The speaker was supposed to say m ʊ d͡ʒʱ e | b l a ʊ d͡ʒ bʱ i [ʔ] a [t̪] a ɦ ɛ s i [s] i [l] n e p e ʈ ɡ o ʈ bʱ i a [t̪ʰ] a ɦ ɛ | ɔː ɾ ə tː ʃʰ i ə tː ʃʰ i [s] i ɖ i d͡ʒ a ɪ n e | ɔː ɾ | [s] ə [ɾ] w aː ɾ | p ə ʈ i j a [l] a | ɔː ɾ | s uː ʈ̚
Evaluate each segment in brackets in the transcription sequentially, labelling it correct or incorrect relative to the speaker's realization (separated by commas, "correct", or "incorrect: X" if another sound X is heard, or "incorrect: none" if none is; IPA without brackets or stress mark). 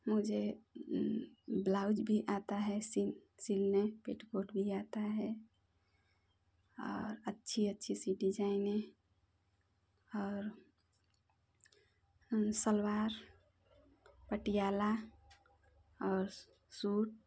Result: correct, correct, correct, correct, incorrect: t̪, correct, correct, incorrect: l, correct